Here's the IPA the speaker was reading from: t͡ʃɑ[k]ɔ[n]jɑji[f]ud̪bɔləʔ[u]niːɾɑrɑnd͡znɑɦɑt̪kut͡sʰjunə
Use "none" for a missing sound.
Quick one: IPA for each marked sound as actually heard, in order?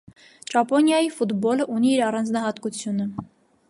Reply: p, n, f, u

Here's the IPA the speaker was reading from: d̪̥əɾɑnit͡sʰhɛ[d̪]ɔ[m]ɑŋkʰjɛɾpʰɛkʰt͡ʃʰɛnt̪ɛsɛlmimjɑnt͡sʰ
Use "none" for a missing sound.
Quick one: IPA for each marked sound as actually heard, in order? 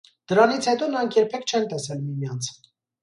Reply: t̪, n

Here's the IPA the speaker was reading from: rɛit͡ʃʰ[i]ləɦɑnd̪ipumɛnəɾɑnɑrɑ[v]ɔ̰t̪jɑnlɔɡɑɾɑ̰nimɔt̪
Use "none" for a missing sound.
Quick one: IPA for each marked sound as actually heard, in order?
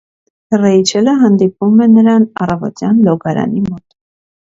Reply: ɛ, v

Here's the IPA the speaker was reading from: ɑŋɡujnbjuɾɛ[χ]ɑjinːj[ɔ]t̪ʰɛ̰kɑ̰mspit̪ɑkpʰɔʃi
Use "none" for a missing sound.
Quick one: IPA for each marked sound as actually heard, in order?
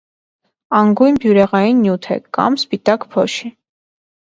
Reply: ʁ, u

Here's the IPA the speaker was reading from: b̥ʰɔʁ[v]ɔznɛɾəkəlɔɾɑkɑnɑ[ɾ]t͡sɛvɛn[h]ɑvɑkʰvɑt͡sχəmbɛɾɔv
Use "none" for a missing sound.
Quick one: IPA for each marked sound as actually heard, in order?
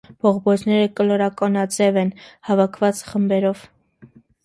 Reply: b, none, h

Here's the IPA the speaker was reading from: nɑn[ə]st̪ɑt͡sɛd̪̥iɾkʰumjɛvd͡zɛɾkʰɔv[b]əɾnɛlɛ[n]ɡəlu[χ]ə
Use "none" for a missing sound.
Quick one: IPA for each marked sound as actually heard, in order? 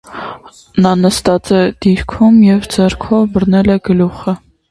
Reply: ə, b, none, χ

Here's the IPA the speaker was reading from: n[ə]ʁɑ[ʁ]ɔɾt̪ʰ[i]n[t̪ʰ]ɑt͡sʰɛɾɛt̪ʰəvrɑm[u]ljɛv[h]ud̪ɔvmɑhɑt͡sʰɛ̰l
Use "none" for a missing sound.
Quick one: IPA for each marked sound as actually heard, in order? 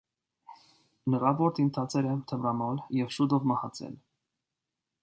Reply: ə, v, i, t̪ʰ, ɔ, ʃ

